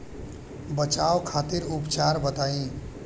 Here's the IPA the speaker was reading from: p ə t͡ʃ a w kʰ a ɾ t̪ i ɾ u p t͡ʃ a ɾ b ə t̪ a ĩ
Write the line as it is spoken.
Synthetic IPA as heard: b ə t͡ʃ a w kʰ a t̪ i ɾ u p t͡ʃ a ɾ b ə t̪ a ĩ